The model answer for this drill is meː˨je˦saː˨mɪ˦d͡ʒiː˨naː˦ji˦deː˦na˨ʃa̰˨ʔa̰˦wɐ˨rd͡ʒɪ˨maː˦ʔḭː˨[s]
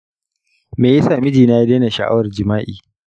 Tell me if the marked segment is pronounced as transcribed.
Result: no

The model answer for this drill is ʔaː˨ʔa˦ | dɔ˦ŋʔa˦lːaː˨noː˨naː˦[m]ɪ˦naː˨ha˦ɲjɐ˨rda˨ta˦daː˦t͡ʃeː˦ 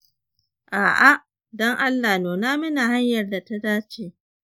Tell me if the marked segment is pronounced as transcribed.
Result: yes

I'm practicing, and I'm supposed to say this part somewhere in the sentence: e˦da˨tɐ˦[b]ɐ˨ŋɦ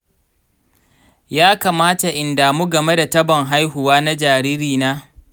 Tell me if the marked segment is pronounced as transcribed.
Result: yes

